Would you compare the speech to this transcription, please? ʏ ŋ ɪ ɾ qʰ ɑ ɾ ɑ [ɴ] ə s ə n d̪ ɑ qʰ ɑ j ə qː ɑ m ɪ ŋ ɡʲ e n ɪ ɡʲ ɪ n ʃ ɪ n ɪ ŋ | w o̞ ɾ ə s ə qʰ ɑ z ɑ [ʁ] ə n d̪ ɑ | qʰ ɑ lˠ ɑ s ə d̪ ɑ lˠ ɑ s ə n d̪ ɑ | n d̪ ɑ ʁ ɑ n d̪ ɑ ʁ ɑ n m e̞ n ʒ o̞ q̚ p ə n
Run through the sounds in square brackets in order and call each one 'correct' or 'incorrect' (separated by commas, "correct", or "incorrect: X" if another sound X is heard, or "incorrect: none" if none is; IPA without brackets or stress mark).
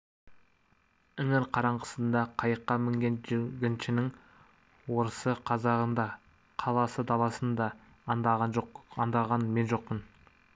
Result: correct, correct